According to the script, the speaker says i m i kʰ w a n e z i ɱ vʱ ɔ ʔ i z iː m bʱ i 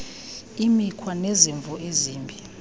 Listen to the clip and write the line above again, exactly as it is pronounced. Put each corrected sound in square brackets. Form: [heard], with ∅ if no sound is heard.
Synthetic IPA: i m i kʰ w a n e z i ɱ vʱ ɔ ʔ [e] z iː m bʱ i